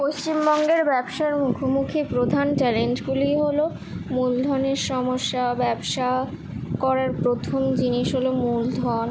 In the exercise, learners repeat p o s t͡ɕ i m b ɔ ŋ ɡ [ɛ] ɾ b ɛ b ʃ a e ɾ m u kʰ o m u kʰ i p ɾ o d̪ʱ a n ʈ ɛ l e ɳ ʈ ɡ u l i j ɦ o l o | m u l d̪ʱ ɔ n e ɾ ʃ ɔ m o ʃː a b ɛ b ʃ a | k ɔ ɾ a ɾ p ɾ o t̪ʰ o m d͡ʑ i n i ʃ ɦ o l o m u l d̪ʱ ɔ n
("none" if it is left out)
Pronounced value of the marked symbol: e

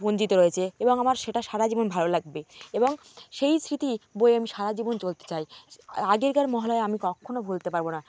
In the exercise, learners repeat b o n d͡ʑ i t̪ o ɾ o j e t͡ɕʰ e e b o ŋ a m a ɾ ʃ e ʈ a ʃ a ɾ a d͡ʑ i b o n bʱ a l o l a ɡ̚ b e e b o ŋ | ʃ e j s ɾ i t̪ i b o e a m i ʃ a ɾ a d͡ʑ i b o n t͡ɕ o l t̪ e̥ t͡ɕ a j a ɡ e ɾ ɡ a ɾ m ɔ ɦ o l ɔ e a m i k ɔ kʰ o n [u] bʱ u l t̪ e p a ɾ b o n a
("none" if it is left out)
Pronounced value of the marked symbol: o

